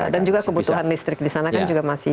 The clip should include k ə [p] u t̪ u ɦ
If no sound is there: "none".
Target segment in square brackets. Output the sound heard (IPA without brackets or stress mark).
b